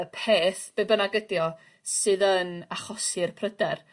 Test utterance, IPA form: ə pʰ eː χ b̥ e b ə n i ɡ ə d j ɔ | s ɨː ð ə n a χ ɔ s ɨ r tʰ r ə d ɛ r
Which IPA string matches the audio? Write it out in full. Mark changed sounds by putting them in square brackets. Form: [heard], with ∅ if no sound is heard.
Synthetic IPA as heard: ə pʰ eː [θ] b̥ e b ə n [a] ɡ ə d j ɔ | s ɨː ð ə n a χ ɔ s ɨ r [pʰ] r ə d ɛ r